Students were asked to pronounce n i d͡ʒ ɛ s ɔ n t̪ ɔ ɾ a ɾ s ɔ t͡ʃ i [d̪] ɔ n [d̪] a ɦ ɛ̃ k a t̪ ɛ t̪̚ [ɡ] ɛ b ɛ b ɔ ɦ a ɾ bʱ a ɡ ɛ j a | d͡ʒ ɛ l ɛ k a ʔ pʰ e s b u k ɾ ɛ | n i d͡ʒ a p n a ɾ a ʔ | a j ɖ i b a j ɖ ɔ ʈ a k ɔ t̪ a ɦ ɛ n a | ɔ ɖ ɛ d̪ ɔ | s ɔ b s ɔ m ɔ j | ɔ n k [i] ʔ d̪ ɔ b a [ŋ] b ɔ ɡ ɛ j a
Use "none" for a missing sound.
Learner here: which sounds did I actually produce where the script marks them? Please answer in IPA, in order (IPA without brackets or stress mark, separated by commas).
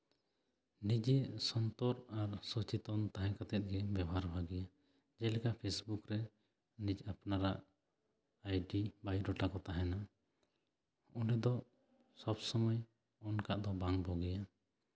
t̪, t̪, ɡ, a, ŋ